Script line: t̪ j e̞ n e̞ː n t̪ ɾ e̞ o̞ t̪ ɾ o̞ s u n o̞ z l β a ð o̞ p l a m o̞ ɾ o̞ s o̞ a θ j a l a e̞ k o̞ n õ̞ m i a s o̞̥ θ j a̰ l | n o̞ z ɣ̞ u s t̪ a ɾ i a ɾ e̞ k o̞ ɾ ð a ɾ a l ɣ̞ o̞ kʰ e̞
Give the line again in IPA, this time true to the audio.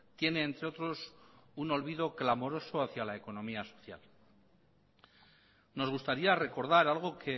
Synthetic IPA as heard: t̪ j e̞ n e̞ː n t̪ ɾ e̞ o̞ t̪ ɾ o̞ s u n o̞ l β i ð o̞ k l a m o̞ ɾ o̞ s o̞ a θ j a l a e̞ k o̞ n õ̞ m i a s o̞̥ θ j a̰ l | n o̞ z ɣ̞ u s t̪ a ɾ i a r e̞ k o̞ ɾ ð a ɾ a l ɣ̞ o̞ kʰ e̞